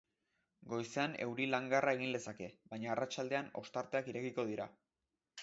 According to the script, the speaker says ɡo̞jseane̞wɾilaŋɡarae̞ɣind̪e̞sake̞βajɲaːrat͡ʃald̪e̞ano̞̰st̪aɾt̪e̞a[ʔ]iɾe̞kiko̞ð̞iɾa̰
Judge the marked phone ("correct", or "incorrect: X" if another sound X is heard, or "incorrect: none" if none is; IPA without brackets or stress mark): incorrect: k